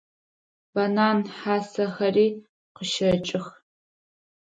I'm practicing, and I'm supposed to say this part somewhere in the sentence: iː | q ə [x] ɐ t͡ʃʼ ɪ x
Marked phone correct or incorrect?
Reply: incorrect